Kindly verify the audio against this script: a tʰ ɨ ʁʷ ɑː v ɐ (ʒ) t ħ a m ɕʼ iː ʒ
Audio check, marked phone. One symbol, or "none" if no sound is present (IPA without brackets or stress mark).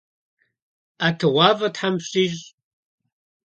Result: none